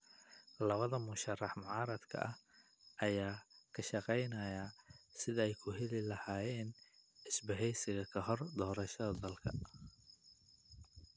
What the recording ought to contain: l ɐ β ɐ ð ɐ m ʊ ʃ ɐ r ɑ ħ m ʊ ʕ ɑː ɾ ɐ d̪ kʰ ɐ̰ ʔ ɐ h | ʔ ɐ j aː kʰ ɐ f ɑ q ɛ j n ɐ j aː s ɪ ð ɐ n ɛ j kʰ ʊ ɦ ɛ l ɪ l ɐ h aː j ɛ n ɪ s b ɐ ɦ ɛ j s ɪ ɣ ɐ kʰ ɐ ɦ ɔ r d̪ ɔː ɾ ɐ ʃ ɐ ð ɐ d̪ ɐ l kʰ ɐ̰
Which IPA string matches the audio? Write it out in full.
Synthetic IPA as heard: l ɐ β ɐ ð ɐ m ʊ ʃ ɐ r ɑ ħ m ʊ ʕ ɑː ɾ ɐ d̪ kʰ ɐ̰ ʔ ɐ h | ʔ ɐ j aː kʰ ɐ ʃ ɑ q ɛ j n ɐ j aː s ɪ ð ɐ ɛ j kʰ ʊ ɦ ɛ l ɪ l ɐ h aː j ɛː n ɪ s b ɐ ɦ ɛ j s ɪ ɣ ɐ kʰ ɐ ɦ ɔ r d̪ ɔː ɾ ɐ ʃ ɐ ð ɐ d̪ ɐ l kʰ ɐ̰